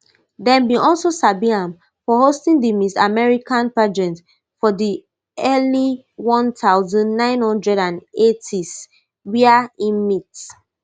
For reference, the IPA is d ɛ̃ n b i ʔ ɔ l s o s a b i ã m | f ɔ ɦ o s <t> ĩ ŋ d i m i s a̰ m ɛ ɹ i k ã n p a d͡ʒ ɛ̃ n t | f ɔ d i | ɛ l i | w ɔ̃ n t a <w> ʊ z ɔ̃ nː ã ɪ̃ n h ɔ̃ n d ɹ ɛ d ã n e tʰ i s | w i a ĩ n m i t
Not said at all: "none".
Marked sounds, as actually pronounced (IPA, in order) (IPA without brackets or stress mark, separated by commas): t, none